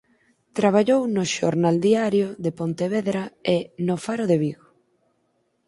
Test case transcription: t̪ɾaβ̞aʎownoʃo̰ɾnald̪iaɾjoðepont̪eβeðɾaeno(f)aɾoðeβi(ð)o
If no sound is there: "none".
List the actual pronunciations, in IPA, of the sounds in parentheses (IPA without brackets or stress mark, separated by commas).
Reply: f, ɣ